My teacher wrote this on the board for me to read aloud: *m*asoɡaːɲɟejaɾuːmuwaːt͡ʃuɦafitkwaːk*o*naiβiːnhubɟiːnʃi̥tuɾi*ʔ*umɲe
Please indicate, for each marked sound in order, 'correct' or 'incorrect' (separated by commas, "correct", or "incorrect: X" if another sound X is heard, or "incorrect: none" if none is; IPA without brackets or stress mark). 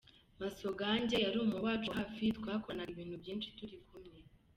correct, correct, incorrect: k